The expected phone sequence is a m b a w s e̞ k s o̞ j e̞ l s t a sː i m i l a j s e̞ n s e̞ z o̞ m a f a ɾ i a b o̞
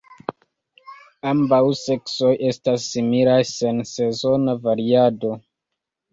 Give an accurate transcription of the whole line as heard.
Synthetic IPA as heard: a m b a w s e̞ k s o̞ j e̞ s t a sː i m i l a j s e̞ n s e̞ z o̞ n a v a ɾ i a d o̞